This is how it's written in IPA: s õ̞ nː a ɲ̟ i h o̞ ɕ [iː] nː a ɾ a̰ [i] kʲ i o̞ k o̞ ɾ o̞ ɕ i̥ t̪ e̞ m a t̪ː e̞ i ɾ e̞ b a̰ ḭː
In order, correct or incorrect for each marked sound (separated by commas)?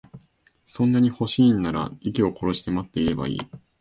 correct, correct